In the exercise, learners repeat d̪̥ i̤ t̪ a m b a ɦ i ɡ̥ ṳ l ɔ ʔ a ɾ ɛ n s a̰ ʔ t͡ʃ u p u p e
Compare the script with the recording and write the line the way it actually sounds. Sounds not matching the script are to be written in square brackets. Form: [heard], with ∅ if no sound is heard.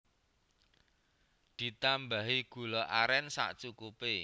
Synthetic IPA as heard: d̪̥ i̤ t̪ a m b a ɦ i ɡ̥ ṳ l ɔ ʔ a ɾ ɛ n s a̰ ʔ t͡ʃ u [k] u p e